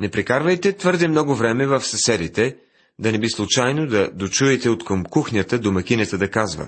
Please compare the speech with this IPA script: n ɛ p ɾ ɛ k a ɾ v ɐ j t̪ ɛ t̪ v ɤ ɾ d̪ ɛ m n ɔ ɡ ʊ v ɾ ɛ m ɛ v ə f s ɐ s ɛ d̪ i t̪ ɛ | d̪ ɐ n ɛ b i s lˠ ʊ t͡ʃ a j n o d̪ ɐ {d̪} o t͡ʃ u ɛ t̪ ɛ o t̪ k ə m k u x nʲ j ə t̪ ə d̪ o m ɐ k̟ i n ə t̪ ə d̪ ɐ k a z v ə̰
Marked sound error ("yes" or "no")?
no